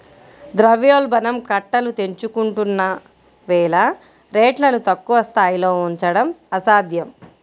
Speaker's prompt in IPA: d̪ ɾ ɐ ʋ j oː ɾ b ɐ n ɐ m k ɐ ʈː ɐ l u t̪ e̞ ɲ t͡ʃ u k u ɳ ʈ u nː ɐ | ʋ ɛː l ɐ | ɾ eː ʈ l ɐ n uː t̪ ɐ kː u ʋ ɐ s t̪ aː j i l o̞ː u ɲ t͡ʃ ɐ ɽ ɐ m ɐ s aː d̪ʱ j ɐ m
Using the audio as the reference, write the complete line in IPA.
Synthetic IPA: d̪ ɾ ɐ ʋ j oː l b ɐ n ɐ m k ɐ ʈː ɐ l u t̪ e̞ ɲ t͡ʃ u k u ɳ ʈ u nː ɐ | ʋ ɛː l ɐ | ɾ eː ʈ l ɐ n u t̪ ɐ kː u ʋ ɐ s t̪ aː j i l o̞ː u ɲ t͡ʃ ɐ ɽ ɐ m ɐ s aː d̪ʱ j ɐ m